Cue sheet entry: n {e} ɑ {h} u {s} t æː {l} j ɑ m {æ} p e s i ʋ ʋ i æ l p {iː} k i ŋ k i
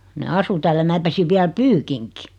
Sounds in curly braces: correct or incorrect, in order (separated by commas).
correct, incorrect, incorrect, correct, incorrect, incorrect